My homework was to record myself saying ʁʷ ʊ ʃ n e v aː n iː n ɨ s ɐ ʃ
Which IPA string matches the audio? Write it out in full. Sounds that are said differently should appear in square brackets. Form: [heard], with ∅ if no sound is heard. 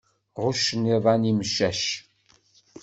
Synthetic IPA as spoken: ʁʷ ʊ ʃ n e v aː n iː [m] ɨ [ʃ] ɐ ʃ